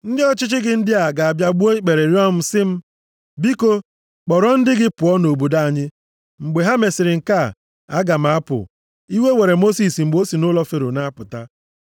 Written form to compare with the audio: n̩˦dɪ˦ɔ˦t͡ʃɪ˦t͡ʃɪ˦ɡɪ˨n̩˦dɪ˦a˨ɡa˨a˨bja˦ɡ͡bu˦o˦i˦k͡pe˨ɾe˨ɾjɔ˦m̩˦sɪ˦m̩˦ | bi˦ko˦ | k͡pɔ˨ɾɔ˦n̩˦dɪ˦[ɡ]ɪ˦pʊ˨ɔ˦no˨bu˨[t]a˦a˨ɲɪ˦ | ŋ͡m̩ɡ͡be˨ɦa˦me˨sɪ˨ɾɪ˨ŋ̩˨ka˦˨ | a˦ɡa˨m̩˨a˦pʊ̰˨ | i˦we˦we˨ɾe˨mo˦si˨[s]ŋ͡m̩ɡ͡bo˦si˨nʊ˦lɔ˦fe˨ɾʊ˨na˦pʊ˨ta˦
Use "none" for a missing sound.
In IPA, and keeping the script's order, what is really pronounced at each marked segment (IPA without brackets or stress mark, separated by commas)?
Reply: ɡ, d, s